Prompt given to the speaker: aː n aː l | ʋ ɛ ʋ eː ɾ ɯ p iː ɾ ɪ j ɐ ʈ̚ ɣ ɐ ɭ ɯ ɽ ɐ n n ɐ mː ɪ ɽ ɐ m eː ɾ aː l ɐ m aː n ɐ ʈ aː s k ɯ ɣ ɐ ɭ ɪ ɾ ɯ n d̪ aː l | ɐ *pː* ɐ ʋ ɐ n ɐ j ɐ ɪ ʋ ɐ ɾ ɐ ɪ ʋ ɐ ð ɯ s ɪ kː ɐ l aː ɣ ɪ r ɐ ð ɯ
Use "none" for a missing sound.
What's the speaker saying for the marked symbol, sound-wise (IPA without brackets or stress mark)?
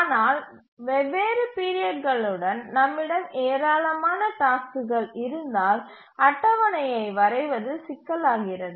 ʈː